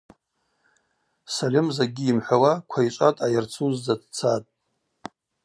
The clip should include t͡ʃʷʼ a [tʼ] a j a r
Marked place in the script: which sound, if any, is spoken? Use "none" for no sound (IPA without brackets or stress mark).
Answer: tʼ